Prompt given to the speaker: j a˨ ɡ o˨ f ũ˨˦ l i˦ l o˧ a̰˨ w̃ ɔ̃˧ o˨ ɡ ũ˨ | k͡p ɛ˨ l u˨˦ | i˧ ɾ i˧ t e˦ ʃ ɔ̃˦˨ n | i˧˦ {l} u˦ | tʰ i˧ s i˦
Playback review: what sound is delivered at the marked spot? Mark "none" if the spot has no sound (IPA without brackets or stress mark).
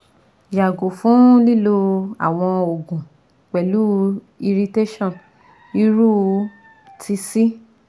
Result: ɾ